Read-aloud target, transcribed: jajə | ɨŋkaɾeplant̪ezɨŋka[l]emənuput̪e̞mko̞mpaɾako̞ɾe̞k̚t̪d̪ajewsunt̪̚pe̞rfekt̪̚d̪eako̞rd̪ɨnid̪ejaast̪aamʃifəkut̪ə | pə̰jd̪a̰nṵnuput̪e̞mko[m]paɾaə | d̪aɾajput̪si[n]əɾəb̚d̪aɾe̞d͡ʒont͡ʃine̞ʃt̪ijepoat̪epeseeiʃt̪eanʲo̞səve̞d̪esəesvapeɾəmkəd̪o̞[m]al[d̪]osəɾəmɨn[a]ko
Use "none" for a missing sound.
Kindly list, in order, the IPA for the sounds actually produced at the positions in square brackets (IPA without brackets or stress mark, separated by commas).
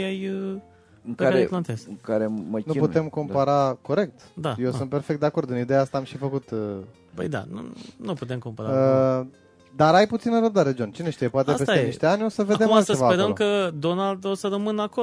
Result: ɾ, m, n, n, d̪, a